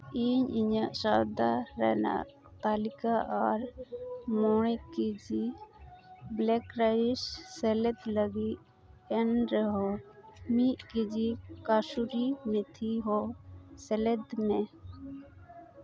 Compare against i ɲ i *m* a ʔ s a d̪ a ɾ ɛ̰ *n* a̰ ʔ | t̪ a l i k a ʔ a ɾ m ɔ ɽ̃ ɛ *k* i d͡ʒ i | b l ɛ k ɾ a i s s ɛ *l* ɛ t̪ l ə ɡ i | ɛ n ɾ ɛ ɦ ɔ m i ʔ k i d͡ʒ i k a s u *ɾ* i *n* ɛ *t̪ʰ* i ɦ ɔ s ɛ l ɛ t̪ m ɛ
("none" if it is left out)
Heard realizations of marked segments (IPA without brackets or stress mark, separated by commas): ɲ, n, k, l, ɾ, m, t̪ʰ